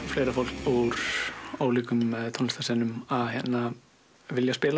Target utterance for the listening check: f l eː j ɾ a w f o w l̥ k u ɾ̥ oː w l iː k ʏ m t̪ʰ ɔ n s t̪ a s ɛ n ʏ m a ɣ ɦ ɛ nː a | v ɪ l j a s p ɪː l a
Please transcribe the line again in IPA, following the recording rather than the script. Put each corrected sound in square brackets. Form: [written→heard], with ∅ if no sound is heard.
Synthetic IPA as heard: f l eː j ɾ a [w→∅] f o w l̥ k u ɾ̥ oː w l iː k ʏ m t̪ʰ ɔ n s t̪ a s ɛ n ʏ m a [ɣ→ð] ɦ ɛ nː a | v ɪ l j a s p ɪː l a

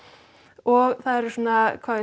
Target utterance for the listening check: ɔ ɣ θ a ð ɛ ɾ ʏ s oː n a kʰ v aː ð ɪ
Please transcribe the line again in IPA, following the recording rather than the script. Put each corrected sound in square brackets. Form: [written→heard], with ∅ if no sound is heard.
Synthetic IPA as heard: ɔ ɣ θ a ð ɛ ɾ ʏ s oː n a kʰ v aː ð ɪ

